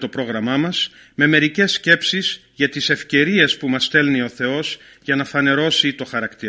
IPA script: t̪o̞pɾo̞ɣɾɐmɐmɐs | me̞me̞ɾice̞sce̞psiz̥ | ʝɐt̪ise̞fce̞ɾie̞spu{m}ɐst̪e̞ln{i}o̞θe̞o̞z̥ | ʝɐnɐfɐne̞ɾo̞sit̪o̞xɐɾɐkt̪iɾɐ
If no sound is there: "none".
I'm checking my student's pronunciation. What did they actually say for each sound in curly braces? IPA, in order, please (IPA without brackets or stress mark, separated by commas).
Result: m, i